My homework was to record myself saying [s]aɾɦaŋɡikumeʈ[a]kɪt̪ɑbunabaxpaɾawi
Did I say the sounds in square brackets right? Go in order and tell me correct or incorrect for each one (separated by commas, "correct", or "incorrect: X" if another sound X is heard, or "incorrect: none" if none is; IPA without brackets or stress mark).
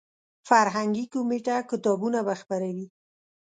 incorrect: f, correct